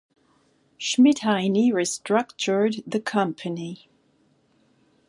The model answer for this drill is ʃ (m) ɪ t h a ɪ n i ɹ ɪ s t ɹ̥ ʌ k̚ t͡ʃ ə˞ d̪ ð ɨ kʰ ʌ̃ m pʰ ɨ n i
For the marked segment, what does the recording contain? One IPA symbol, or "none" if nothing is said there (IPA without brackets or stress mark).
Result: m